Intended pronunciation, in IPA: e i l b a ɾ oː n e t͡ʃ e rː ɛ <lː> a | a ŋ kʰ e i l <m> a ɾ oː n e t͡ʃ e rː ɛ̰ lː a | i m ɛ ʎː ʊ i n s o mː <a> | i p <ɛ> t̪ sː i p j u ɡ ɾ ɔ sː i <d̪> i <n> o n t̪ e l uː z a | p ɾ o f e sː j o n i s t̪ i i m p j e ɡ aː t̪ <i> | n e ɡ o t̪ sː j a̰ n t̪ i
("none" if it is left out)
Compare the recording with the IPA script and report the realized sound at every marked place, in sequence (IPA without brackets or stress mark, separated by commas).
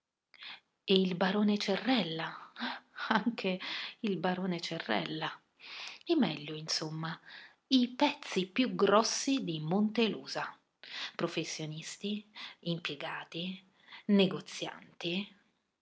lː, b, a, ɛ, d̪, m, i